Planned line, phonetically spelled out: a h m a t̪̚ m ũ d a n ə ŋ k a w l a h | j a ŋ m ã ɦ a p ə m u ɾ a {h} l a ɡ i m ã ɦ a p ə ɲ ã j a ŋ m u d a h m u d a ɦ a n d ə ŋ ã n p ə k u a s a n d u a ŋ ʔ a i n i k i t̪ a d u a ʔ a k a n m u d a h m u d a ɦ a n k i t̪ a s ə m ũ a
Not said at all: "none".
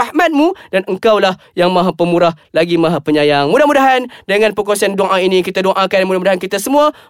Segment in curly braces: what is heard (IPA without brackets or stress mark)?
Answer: h